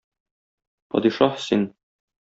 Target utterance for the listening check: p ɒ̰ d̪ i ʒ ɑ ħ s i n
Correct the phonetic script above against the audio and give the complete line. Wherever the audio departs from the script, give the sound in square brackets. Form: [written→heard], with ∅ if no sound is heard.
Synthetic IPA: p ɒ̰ d̪ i [ʒ→ʃ] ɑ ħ s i n